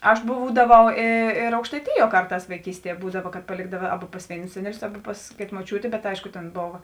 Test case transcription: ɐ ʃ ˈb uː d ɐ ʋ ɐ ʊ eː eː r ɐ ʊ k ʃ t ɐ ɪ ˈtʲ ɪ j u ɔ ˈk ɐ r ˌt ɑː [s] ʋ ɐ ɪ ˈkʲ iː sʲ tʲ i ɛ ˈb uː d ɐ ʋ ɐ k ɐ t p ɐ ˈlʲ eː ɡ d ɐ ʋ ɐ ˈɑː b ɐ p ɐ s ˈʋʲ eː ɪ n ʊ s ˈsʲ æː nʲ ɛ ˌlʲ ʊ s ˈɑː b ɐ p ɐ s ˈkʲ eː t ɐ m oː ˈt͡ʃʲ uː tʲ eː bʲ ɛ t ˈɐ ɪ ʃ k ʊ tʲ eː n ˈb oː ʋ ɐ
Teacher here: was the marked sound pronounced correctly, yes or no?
yes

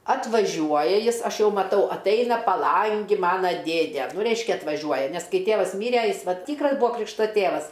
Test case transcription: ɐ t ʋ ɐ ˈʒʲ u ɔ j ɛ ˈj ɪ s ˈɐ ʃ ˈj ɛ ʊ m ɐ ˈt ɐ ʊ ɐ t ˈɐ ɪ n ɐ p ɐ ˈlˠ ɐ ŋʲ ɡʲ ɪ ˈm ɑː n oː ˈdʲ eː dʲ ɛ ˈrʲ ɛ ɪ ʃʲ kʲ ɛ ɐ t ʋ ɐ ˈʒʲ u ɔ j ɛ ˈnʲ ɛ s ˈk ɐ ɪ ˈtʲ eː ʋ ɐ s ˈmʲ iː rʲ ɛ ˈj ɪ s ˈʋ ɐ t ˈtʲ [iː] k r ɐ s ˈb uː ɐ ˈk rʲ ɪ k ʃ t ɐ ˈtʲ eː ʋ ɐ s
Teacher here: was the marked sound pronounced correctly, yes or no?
yes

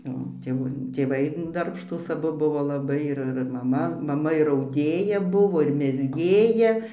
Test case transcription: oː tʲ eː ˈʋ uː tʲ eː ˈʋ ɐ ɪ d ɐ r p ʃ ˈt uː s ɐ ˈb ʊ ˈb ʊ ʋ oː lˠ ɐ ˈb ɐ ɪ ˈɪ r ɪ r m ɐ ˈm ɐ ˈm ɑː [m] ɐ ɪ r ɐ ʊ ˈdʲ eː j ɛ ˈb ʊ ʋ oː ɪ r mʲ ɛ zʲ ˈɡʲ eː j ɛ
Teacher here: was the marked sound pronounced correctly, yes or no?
yes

